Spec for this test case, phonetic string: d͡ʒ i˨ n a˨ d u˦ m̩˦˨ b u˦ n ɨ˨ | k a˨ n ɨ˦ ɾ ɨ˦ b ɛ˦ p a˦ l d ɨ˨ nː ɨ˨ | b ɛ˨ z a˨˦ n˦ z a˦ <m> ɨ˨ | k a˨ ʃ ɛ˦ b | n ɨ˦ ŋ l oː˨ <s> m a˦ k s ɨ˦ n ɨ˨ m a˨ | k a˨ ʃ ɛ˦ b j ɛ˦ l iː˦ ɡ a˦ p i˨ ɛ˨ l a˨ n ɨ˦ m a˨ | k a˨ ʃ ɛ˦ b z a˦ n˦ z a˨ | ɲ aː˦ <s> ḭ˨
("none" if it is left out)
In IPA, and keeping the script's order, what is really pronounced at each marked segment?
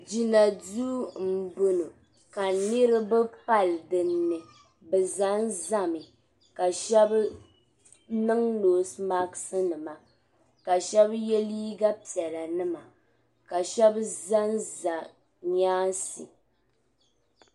m, s, s

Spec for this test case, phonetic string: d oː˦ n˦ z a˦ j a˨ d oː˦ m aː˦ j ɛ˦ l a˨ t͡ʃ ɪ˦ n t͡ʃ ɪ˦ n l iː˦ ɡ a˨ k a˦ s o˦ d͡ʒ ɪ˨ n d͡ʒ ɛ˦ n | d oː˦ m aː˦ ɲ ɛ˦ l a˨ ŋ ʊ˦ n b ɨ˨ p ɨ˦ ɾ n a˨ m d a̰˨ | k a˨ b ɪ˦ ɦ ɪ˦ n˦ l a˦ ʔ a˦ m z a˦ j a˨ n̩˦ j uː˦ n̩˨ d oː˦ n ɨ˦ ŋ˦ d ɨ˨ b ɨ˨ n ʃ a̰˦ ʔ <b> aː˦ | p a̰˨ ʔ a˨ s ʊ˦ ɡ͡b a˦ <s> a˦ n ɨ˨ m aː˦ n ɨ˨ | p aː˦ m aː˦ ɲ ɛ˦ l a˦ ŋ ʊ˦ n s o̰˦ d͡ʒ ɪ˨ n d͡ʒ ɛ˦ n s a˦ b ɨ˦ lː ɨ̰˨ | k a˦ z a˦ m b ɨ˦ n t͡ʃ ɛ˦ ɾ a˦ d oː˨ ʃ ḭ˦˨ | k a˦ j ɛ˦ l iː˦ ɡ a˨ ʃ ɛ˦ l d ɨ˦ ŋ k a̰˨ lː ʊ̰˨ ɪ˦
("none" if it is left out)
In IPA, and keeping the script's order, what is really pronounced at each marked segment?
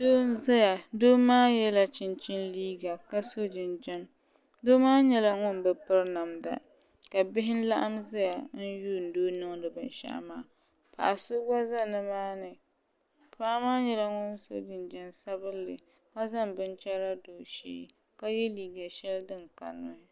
m, z

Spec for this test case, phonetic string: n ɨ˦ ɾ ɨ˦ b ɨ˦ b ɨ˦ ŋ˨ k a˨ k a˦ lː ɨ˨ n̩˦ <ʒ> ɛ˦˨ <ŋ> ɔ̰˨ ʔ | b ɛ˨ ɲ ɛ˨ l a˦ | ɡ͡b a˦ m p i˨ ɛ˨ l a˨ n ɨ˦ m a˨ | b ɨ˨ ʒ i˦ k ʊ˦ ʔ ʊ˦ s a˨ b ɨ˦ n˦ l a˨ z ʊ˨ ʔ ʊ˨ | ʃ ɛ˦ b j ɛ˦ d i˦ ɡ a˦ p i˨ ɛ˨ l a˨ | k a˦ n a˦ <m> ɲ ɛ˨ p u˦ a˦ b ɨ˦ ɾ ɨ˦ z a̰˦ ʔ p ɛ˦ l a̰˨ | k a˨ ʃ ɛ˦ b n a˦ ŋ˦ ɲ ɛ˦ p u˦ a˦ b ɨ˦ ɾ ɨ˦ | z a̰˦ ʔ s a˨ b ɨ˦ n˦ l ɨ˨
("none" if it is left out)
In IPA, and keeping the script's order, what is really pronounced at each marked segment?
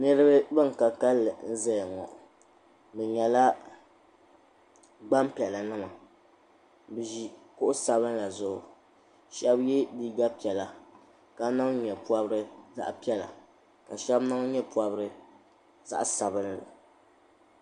z, ŋ, ŋ

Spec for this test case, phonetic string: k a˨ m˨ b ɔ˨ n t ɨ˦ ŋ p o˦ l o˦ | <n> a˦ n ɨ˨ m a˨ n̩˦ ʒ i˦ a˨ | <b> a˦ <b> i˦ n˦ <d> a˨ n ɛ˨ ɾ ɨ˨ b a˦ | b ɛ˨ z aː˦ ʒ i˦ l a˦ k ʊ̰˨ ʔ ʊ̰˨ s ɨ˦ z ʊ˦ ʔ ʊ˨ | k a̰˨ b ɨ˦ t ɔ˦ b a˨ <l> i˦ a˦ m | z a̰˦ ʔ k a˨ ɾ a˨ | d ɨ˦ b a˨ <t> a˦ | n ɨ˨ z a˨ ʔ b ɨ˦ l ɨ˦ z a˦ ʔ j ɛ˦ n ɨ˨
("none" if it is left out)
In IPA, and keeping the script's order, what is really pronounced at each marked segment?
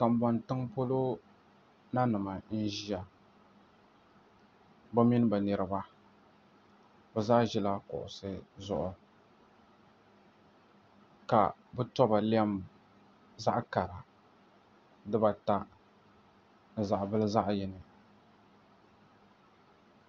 n, b, m, b, l, t

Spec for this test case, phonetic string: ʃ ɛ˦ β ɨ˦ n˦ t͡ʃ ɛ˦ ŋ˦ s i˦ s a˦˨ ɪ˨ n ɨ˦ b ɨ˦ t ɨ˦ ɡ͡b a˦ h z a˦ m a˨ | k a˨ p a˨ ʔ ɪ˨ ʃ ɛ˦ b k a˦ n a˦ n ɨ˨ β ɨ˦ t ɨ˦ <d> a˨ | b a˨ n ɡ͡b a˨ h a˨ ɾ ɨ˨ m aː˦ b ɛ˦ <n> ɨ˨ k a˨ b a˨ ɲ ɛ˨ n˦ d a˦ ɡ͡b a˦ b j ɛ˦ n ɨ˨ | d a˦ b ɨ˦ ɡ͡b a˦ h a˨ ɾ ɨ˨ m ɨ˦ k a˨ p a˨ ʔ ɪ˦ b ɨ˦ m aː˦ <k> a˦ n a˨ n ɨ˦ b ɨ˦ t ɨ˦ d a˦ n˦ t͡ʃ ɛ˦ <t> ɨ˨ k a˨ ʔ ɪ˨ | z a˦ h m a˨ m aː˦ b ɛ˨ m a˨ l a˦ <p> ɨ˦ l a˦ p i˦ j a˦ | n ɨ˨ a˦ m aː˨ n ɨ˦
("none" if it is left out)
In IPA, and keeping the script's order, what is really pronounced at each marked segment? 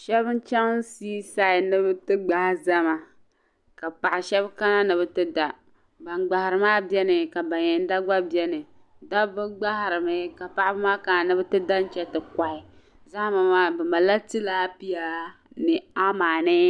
d, n, k, t, t

